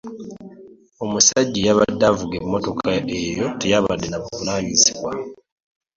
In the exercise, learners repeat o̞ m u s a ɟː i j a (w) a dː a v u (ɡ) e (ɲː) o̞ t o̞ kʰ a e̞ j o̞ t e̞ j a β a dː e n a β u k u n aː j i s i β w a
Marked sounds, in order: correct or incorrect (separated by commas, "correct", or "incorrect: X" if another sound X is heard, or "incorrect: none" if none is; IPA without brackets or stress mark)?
incorrect: β, correct, incorrect: mː